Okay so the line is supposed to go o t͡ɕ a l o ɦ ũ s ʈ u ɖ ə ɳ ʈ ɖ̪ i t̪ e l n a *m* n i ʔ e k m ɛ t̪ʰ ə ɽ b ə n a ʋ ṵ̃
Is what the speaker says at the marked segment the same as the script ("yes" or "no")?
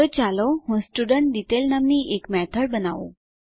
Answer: yes